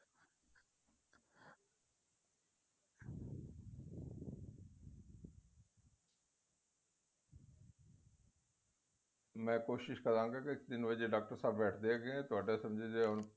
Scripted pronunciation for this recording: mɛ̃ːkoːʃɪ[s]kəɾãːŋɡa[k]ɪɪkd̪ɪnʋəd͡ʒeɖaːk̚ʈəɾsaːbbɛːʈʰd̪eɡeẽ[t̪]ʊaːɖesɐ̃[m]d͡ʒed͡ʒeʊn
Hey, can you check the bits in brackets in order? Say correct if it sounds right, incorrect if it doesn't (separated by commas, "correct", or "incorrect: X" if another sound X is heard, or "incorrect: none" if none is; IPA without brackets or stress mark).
incorrect: ʃ, correct, correct, correct